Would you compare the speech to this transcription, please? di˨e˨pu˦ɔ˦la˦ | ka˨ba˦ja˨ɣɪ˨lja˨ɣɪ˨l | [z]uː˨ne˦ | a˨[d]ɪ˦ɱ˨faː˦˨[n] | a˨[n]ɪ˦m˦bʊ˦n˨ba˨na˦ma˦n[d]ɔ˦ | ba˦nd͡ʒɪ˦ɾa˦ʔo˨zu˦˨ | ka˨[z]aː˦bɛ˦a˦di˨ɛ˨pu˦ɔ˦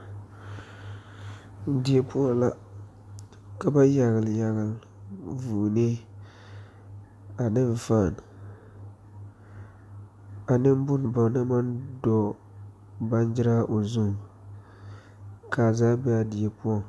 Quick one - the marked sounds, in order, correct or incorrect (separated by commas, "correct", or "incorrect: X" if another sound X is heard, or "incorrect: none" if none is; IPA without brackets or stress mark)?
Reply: incorrect: v, incorrect: n, correct, correct, correct, correct